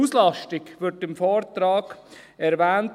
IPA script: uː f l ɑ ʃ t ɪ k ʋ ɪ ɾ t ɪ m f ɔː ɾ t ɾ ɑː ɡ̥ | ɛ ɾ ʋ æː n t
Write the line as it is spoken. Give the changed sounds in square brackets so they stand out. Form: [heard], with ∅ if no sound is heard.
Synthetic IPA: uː [s] l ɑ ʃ t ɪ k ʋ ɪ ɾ t ɪ m f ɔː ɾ t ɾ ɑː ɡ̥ | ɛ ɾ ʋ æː n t